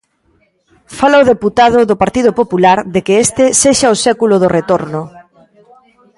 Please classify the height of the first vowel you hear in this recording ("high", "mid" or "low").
low